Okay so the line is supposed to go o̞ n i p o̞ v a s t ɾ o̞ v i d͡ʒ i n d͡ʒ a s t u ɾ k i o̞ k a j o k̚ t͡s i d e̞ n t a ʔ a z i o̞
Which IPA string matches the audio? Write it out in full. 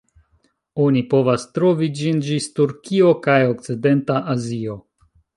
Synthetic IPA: o̞ n i p o̞ v a s t ɾ o̞ v i d͡ʒ i n d͡ʒ i s t u ɾ k i o̞ k a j o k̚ t͡s i d e̞ n t a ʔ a z i o̞

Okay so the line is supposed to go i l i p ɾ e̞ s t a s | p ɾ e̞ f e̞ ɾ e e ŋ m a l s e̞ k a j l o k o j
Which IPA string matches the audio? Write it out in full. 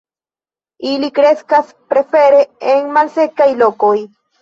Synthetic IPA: i l i k ɾ e̞ s k a s | p ɾ e̞ f e̞ ɾ e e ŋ m a l s e̞ k a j l o k o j

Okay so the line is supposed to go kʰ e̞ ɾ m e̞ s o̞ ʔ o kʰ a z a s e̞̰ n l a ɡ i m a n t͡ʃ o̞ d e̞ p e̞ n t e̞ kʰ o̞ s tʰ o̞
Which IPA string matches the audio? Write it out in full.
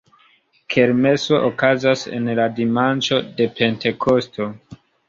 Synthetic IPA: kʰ e̞ ɾ m e̞ s o̞ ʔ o k a z a s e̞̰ n l a d i m a n t͡ʃ o̞ d e̞ p e̞ n t e̞ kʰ o̞ s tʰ o̞

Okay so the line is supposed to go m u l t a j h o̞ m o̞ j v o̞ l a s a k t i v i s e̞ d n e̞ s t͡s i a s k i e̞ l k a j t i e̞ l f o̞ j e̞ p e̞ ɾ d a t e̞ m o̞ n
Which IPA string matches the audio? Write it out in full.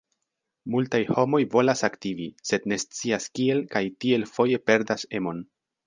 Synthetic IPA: m u l t a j h o̞ m o̞ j v o̞ l a s a k t i v i s e̞ d n e̞ s t͡s i a s k i e̞ l k a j t i e̞ l f o̞ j e̞ p e̞ ɾ d a s e̞ m o̞ n

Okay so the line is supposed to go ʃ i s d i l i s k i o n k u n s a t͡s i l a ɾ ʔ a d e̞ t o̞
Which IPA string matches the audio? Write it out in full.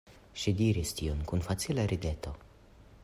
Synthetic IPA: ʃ i d i ɾ i s t i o n k u n f a t͡s i l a ɾ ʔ i d e̞ t o̞

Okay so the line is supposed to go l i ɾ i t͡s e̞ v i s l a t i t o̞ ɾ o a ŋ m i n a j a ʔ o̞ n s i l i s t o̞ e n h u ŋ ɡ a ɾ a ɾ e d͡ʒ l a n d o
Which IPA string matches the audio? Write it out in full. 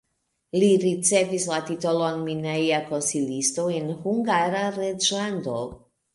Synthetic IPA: l i ɾ i t͡s e̞ v i s l a t i t o̞ l o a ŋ m i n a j a k o̞ n s i l i s t o̞ e n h u ŋ ɡ a ɾ a ɾ e d͡ʒ l a n d o

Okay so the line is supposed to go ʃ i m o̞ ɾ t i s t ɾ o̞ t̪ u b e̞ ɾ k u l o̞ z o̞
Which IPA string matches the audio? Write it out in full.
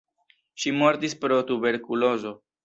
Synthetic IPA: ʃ i m o̞ ɾ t i s p ɾ o̞ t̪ u b e̞ ɾ k u l o̞ z o̞

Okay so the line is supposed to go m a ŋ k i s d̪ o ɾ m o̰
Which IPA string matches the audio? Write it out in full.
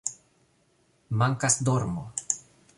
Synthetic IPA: m a ŋ k a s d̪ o ɾ m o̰

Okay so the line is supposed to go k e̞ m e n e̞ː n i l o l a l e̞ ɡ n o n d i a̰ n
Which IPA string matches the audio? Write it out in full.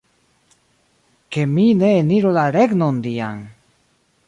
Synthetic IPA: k e̞ m i n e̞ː n i ɾ o l a ɾ e̞ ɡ n o n d i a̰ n

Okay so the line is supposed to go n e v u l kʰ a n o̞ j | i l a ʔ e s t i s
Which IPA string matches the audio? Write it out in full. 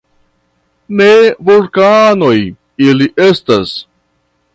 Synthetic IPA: n e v u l k a n o̞ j | i l i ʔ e s t a s

